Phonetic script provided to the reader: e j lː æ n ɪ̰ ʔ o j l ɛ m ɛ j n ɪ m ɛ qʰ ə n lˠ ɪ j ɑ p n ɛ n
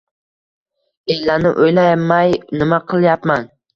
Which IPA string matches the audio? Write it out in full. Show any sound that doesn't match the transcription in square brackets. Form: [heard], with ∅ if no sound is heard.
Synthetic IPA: e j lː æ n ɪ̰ ʔ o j l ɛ m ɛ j n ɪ m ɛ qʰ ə [∅] lˠ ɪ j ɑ p [m] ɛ n